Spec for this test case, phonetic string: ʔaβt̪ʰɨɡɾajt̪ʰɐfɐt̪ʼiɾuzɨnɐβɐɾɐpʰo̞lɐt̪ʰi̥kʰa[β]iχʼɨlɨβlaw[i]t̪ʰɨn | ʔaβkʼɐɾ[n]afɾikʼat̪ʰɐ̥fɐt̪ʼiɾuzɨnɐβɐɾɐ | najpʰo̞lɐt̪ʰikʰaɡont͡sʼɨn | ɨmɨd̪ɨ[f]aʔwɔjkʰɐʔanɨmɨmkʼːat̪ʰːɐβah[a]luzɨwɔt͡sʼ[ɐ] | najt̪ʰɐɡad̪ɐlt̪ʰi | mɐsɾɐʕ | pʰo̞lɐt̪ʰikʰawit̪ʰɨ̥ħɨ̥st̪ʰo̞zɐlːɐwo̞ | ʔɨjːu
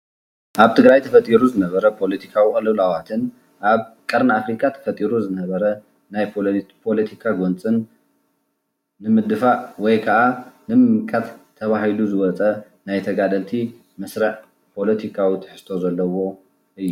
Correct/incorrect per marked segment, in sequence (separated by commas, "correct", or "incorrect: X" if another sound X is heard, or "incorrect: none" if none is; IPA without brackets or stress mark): incorrect: w, incorrect: a, correct, correct, incorrect: i, correct